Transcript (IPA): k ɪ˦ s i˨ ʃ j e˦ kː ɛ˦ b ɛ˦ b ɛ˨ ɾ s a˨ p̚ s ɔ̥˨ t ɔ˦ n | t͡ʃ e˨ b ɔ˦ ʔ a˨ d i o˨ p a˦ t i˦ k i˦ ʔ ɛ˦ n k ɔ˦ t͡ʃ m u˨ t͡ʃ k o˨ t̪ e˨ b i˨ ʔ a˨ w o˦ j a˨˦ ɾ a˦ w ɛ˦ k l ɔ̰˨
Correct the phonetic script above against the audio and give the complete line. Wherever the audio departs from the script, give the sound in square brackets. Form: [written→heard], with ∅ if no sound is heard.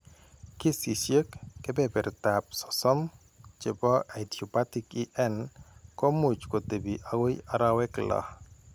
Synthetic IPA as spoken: k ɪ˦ s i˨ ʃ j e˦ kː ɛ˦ b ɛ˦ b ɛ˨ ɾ [s→t] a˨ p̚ s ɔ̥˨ [t→s] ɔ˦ [n→m] | t͡ʃ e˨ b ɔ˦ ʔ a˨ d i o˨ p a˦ t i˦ k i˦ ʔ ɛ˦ n k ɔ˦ [t͡ʃ→∅] m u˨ t͡ʃ k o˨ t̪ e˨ b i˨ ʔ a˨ w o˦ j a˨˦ ɾ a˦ w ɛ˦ k l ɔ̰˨